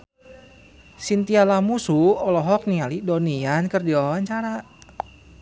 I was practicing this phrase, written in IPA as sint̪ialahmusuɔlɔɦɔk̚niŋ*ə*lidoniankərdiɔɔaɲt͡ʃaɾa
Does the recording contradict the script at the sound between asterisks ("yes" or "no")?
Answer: yes